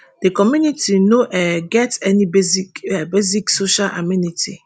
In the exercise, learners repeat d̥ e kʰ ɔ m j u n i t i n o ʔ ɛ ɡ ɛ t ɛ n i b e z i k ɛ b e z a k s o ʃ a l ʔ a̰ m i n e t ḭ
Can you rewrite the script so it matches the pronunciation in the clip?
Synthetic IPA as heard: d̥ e k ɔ m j u n i t i n o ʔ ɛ ɡ ɛ t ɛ n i b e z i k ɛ b e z i k s o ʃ a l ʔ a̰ m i n i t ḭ